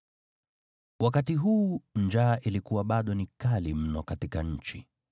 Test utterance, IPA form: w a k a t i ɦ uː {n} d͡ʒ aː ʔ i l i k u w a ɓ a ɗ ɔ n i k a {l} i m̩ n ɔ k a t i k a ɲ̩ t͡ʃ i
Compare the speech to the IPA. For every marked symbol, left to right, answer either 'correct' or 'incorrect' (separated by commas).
correct, correct